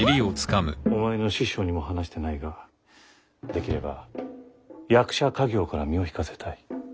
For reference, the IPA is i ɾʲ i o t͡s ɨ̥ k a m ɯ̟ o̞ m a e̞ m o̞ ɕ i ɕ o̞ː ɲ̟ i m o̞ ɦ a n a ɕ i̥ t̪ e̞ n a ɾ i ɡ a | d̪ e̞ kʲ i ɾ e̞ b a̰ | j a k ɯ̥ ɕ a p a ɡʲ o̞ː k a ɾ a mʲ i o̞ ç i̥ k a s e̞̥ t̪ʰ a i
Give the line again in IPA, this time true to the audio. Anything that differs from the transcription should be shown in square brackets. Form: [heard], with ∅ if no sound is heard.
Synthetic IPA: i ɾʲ i o t͡s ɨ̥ k a m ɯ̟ o̞ m a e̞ [n] o̞ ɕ i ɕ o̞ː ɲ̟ i m o̞ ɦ a n a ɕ i̥ t̪ e̞ n a [∅] i ɡ a | d̪ e̞ kʲ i ɾ e̞ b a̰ | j a k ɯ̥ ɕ a [k] a ɡʲ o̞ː k a ɾ a mʲ i o̞ ç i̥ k a s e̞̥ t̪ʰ a i

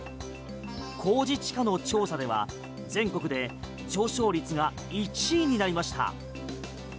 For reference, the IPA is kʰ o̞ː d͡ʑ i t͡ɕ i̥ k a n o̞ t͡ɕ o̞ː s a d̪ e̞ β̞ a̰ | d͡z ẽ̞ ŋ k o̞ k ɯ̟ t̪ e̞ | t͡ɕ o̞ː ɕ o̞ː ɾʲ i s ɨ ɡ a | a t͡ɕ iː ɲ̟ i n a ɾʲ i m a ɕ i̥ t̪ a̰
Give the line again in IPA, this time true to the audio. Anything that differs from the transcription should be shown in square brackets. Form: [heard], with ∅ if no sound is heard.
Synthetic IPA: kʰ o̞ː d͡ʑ i t͡ɕ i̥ k a n o̞ t͡ɕ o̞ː s a d̪ e̞ β̞ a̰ | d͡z ẽ̞ ŋ k o̞ k ɯ̟ [d̪] e̞ | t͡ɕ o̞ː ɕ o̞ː ɾʲ i [t͡s] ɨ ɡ a | [i] t͡ɕ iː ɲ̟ i n a ɾʲ i m a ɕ i̥ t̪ a̰

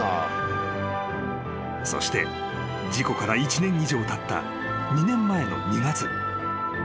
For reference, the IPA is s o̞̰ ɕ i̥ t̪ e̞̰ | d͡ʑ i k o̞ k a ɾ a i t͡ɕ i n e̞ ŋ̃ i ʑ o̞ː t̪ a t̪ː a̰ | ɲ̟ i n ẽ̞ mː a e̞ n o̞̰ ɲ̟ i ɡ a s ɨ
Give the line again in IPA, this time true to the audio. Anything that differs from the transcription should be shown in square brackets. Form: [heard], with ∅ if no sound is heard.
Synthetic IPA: s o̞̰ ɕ i̥ t̪ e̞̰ | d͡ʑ i k o̞ k a ɾ a i t͡ɕ i n [ẽ̞] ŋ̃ i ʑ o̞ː t̪ a t̪ː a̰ | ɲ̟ i n ẽ̞ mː a e̞ n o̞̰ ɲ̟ i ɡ a [t͡s] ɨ

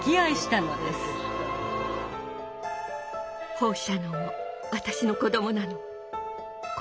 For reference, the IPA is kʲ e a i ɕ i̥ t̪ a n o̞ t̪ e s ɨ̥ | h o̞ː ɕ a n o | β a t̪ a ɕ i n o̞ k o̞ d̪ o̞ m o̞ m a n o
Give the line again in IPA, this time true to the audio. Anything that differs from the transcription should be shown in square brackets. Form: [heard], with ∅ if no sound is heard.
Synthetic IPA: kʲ [i] a i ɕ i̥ t̪ a n o̞ [d̪] e s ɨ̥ | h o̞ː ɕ a n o | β a t̪ a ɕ i n o̞ k o̞ d̪ o̞ m o̞ [n] a n o

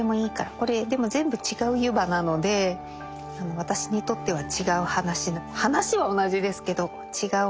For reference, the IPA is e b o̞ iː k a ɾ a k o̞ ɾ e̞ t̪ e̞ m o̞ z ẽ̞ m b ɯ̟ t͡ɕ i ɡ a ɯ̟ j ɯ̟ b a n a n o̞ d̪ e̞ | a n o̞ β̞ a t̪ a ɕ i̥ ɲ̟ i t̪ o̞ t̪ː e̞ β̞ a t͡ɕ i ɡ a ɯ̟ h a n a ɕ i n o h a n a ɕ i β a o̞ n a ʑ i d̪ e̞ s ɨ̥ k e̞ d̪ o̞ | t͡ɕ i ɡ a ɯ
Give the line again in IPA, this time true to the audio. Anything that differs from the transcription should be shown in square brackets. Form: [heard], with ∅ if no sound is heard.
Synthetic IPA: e [m] o̞ iː k a ɾ a k o̞ ɾ e̞ [d̪] e̞ m o̞ z ẽ̞ m b ɯ̟ t͡ɕ i ɡ a ɯ̟ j ɯ̟ b a n a n o̞ d̪ e̞ | a n o̞ β̞ a t̪ a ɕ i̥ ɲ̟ i t̪ o̞ t̪ː e̞ β̞ a t͡ɕ i ɡ a ɯ̟ h a n a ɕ i n o h a n a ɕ i β a o̞ n a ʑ i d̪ e̞ s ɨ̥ k e̞ d̪ o̞ | t͡ɕ i ɡ a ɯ

